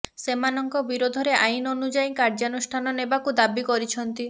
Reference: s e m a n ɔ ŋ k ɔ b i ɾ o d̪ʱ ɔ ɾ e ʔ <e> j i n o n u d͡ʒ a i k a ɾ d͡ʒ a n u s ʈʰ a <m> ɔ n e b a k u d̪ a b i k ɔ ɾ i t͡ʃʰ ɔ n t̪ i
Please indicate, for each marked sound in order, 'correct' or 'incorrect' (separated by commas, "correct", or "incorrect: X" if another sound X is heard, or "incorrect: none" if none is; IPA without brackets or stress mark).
incorrect: a, incorrect: n